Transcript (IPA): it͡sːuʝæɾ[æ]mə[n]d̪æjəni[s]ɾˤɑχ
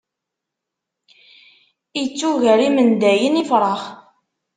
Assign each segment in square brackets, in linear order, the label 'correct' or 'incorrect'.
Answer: incorrect: i, correct, incorrect: f

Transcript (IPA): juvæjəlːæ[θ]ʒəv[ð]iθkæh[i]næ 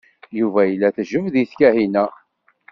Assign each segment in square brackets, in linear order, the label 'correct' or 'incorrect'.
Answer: correct, correct, correct

